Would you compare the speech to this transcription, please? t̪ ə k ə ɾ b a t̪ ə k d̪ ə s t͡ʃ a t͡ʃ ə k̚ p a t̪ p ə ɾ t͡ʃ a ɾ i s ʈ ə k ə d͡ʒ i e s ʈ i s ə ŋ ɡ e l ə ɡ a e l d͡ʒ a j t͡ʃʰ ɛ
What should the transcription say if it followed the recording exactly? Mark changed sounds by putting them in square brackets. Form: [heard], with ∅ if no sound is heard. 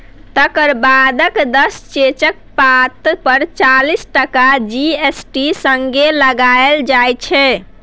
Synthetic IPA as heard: t̪ ə k ə ɾ b a [d̪] ə k d̪ ə s t͡ʃ [e] t͡ʃ ə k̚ p a t̪ p ə ɾ t͡ʃ a [l] i s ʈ ə k [a] d͡ʒ i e s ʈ i s ə ŋ ɡ e l ə ɡ a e l d͡ʒ a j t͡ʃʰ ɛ